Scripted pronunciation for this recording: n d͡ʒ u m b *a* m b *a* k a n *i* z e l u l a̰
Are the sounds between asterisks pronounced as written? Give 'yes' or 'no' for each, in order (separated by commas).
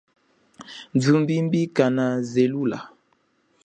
no, no, no